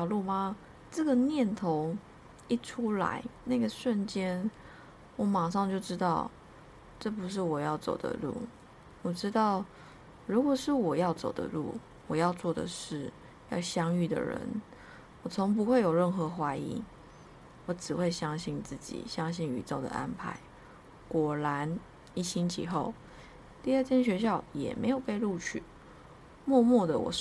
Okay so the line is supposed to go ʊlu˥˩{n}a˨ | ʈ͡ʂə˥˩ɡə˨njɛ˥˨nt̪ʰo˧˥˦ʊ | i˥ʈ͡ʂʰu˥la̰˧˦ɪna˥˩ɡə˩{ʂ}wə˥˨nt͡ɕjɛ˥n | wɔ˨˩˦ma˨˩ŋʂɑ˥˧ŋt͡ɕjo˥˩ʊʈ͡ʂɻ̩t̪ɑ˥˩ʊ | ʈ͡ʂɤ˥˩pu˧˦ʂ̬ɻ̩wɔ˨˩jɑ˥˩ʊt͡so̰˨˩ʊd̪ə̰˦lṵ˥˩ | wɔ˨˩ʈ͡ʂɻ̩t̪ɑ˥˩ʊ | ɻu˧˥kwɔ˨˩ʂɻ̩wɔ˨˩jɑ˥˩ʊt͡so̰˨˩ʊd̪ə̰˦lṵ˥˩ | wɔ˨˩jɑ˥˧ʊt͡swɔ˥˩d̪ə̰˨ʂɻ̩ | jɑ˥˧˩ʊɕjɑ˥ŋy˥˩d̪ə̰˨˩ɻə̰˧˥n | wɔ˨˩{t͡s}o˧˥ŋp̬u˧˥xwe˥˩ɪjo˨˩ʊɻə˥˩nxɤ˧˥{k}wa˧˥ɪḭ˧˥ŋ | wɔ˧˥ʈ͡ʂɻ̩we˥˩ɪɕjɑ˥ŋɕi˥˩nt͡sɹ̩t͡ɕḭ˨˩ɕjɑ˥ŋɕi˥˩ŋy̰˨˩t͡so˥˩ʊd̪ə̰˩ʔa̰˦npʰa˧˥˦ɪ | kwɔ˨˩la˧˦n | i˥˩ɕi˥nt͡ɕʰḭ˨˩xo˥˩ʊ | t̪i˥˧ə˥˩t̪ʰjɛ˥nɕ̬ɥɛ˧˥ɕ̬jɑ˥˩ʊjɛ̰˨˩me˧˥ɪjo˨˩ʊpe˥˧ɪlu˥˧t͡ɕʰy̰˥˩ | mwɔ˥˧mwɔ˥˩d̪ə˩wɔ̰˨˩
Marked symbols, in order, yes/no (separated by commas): no, yes, no, no